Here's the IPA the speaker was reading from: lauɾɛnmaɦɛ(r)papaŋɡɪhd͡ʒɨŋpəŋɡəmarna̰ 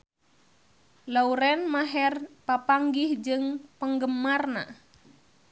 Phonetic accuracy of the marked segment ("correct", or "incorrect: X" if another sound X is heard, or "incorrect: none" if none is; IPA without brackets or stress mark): correct